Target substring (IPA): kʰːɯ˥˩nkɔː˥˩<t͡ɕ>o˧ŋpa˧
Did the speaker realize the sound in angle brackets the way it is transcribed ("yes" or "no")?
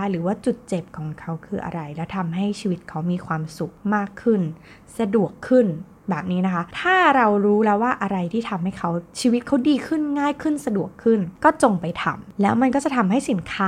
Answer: yes